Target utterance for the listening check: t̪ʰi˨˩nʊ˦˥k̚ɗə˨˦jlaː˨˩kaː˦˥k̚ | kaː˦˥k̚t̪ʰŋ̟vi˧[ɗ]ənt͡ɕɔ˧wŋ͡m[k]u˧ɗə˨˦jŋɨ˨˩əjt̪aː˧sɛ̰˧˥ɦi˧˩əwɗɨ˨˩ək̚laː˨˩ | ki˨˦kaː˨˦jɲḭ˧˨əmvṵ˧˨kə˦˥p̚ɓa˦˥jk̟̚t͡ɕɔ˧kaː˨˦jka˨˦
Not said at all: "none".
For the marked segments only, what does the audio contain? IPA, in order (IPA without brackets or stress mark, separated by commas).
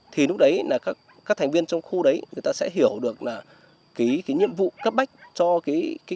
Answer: none, x